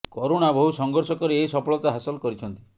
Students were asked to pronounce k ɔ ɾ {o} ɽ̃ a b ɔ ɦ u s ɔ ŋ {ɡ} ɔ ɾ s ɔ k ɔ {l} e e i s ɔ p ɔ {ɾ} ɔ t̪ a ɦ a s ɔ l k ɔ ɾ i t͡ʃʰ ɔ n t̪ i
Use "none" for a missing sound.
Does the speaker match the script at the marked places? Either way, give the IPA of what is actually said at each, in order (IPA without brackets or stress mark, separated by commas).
o, ɡ, ɾ, ɭ